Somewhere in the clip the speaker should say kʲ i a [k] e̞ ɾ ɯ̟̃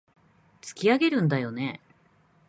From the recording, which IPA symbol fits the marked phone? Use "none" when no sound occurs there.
ɡ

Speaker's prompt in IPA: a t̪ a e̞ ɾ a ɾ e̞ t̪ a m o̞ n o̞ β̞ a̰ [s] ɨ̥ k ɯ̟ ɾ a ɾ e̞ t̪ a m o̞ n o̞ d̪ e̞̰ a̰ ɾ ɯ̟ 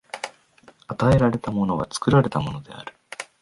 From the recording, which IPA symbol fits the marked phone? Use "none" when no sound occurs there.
t͡s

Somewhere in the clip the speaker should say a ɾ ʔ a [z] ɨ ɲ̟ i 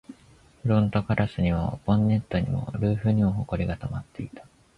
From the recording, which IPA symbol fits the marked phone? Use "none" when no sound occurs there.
s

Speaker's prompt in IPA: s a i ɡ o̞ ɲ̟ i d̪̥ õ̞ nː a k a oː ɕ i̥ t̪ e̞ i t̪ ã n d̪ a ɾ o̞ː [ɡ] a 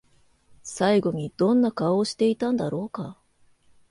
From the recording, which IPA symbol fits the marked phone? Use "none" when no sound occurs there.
k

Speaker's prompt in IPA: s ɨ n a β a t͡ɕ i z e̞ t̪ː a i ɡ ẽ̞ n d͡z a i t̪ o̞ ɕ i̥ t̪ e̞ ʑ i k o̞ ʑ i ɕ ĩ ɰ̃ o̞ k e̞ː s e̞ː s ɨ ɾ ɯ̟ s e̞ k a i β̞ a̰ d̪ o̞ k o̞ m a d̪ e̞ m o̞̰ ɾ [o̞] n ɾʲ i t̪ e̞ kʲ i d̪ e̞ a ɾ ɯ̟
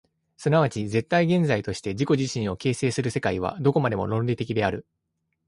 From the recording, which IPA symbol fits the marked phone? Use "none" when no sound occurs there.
õ̞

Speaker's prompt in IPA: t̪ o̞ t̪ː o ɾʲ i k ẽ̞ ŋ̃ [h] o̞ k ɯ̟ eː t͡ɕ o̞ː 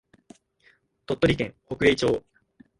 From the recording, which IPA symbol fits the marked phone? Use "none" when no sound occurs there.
h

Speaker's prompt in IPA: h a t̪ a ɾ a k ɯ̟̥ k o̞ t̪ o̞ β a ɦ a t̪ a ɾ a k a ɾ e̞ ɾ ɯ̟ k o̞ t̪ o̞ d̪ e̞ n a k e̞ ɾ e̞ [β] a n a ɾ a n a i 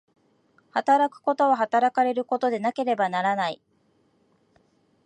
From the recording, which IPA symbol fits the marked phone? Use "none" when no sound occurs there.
b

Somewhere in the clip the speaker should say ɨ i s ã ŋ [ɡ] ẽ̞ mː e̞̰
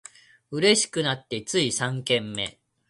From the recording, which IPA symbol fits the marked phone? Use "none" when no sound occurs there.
k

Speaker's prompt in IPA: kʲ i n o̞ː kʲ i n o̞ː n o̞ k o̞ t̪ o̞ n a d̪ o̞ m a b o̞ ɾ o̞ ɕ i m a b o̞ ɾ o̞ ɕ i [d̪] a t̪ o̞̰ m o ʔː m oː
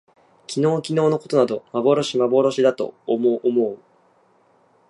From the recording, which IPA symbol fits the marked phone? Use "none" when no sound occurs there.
d̪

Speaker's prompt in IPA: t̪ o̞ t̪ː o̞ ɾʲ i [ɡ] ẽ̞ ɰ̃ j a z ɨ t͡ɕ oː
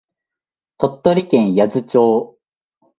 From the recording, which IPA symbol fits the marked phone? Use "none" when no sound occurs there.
k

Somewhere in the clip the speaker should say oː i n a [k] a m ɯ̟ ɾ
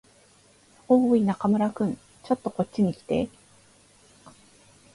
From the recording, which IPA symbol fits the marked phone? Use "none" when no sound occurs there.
k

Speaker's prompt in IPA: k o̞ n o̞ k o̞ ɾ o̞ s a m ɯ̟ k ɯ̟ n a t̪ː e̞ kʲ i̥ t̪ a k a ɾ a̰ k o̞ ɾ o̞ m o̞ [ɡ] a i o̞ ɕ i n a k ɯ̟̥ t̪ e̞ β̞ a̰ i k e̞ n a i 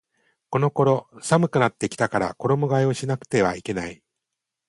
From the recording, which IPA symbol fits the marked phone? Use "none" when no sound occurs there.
ɡ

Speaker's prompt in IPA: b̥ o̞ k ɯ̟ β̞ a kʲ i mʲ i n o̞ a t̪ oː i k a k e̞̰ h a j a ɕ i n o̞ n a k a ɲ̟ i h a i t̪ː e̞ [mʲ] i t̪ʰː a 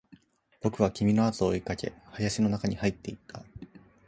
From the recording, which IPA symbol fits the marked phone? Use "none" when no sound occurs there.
none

